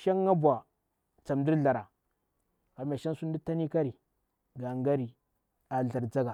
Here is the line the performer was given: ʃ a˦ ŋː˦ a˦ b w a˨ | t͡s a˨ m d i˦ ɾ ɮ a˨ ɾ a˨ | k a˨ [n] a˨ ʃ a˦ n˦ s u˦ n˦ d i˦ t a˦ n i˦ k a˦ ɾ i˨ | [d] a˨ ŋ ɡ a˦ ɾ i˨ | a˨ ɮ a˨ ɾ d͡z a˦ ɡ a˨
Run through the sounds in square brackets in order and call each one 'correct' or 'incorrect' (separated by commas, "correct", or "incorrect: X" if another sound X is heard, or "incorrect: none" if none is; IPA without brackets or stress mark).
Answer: incorrect: m, incorrect: ɡ